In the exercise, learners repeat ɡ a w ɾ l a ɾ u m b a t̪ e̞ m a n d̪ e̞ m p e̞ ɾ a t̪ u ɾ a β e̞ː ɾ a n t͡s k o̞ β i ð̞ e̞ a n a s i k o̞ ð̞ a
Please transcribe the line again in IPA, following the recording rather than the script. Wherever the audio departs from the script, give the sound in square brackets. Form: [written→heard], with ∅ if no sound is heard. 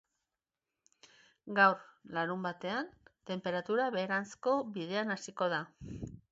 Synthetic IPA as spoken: ɡ a w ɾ l a ɾ u m b a t̪ e̞ [m→∅] a n [d̪→t̪] e̞ m p e̞ ɾ a t̪ u ɾ a β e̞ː ɾ a n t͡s k o̞ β i ð̞ e̞ a n a s i k o̞ ð̞ a